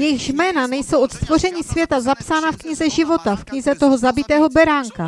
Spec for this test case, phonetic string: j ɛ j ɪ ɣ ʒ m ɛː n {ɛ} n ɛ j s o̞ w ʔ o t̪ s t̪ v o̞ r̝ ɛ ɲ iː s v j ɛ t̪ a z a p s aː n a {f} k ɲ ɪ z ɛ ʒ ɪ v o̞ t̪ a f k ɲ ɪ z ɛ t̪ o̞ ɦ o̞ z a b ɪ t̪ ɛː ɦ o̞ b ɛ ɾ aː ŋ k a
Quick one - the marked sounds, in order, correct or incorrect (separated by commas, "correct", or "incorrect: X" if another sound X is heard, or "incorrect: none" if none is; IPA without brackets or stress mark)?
incorrect: a, correct